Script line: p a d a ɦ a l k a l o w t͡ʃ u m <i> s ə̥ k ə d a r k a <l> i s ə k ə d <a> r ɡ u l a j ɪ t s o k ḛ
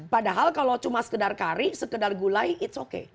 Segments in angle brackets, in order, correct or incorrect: incorrect: a, incorrect: ɾ, correct

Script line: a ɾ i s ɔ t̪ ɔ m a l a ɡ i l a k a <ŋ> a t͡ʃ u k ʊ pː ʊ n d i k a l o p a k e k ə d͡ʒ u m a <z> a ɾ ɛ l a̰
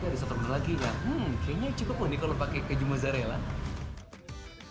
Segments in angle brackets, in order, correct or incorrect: incorrect: ɲ, correct

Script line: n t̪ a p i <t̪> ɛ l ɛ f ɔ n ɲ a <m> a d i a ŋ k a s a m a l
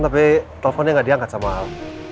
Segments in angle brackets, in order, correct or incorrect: correct, incorrect: ŋ

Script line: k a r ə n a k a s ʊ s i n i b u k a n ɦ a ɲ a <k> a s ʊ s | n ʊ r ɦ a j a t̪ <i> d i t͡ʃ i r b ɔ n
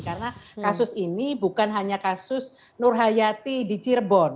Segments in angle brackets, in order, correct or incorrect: correct, correct

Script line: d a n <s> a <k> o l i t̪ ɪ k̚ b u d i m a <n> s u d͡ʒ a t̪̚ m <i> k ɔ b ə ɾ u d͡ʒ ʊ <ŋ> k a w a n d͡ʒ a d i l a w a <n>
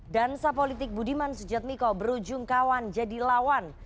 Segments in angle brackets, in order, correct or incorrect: correct, incorrect: p, correct, correct, correct, correct

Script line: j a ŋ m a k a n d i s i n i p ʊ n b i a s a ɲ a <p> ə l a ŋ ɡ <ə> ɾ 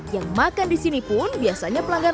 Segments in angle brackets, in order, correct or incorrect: correct, incorrect: a

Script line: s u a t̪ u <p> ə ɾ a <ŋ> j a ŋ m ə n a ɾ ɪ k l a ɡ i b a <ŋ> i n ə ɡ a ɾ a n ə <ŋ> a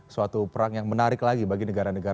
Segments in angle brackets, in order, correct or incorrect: correct, correct, incorrect: ɡ, incorrect: ɡ

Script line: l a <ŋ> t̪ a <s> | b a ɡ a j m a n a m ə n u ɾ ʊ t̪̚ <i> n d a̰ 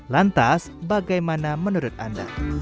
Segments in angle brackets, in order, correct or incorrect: incorrect: n, correct, incorrect: a

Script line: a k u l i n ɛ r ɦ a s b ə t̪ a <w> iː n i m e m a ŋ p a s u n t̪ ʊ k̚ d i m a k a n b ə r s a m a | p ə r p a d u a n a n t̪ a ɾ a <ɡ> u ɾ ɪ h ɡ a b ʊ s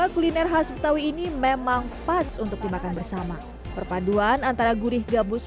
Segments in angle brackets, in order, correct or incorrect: correct, correct

